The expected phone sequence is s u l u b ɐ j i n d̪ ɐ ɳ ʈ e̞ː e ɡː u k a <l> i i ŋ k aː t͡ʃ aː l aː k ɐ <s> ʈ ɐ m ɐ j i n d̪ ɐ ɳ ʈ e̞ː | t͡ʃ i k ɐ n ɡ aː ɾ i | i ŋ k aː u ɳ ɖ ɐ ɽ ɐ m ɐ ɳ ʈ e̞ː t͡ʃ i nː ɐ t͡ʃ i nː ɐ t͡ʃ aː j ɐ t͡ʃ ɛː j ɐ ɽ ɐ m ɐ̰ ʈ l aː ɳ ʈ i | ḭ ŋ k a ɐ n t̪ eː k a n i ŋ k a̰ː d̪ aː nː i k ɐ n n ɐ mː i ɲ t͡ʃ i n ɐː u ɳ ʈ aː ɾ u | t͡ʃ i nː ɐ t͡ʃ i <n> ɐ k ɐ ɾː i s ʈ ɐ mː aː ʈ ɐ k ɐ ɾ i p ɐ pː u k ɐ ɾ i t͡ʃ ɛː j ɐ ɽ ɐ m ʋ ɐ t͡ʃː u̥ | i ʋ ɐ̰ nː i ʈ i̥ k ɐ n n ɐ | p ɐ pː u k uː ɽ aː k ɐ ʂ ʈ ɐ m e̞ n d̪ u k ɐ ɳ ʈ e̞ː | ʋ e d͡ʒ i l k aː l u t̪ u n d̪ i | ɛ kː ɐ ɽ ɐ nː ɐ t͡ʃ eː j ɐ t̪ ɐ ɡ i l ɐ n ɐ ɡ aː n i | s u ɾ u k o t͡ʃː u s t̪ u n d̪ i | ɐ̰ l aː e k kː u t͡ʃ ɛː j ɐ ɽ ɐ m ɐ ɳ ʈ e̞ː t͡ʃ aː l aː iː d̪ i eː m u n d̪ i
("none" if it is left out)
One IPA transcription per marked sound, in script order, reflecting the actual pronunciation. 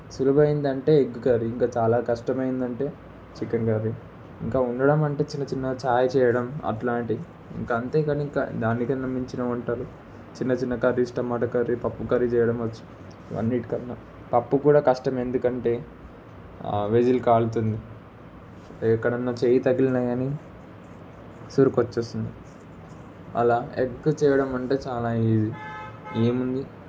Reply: ɾ, ʂ, nː

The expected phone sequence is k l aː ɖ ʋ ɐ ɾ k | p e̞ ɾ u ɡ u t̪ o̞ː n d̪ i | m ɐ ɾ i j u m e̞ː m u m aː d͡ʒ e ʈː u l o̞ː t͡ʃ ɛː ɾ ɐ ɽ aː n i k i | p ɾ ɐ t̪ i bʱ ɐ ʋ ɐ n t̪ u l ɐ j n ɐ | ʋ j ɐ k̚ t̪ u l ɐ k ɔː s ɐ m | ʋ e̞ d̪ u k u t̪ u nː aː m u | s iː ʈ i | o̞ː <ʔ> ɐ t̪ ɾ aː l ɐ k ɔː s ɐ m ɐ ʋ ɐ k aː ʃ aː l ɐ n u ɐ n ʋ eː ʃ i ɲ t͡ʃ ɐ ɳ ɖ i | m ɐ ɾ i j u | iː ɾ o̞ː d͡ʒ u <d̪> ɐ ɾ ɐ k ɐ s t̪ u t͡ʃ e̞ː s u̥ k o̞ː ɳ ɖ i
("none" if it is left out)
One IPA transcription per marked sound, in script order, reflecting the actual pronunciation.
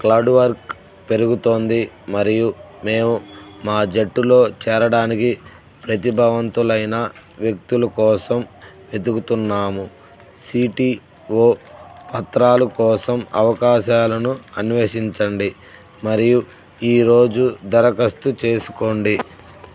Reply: p, d̪

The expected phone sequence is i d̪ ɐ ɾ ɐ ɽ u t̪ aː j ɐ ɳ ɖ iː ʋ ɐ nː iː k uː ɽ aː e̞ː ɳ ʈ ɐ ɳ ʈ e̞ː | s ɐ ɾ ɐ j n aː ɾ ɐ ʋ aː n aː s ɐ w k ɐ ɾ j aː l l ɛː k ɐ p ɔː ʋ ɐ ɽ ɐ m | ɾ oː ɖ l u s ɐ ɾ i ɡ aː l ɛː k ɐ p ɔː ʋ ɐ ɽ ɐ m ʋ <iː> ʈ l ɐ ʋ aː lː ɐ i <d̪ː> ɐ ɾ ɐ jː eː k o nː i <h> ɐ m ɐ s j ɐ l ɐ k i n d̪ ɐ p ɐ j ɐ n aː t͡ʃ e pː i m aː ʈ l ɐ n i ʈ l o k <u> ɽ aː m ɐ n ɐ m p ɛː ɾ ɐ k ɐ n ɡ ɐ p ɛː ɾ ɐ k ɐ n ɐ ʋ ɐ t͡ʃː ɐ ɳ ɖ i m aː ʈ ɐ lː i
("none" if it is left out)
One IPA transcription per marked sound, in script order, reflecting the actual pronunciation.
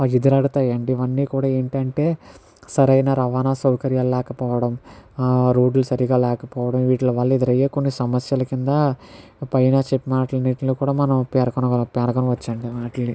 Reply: iː, d̪, s, uː

